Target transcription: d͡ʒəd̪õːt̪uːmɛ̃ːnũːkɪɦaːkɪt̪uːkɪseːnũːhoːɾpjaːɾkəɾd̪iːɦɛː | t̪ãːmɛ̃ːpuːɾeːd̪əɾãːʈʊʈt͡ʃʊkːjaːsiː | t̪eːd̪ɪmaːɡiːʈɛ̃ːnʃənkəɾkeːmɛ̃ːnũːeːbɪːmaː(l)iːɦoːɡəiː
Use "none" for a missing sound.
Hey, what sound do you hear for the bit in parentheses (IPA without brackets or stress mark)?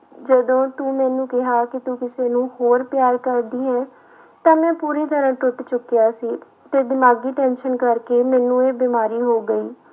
ɾ